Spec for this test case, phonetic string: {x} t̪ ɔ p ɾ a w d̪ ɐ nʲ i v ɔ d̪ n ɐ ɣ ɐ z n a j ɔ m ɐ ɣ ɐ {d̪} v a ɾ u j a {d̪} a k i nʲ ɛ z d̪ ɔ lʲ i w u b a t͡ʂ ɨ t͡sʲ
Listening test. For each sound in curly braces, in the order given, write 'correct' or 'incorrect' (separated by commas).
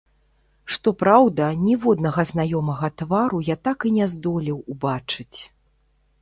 incorrect, incorrect, incorrect